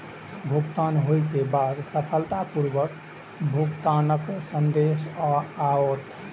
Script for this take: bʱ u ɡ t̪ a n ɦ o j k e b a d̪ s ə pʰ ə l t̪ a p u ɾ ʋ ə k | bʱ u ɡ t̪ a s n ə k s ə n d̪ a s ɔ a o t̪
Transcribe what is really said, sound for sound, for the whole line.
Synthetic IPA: bʱ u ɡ t̪ a n ɦ o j k e b a d̪ s ə pʰ ə l t̪ a p u ɾ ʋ ə k | bʱ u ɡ t̪ a n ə k s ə n d̪ e s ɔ a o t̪